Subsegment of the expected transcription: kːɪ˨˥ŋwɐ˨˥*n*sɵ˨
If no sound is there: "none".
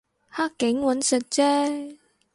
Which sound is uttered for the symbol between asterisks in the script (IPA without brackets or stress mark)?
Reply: n